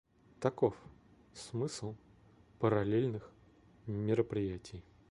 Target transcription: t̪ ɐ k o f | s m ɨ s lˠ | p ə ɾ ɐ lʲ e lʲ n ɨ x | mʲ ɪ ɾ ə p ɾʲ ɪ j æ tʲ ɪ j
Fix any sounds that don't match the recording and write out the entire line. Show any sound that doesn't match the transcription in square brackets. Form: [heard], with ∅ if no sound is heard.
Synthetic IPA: t̪ ɐ k o f | s m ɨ s lˠ | p ə ɾ ɐ lʲ e lʲ n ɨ x | mʲ ɪ ɾ ə p ɾʲ ɪ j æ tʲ ɪ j